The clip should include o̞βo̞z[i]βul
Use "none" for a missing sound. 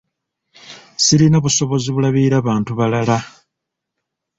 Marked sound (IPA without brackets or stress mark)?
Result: i